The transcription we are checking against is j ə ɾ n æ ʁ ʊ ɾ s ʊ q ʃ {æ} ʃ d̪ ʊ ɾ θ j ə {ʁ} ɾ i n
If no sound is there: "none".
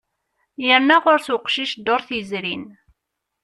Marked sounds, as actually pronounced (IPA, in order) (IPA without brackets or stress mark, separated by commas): i, z